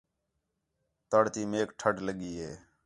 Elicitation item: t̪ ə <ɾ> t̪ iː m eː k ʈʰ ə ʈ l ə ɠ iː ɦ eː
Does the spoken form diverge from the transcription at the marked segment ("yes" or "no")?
yes